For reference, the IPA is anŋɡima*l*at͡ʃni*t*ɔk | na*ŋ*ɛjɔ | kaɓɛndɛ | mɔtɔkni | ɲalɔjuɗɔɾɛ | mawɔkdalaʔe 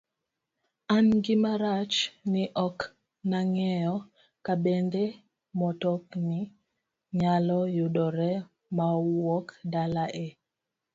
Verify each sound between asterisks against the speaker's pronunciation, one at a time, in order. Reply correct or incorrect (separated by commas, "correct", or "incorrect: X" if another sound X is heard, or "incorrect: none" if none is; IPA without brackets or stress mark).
incorrect: ɾ, incorrect: ʔ, correct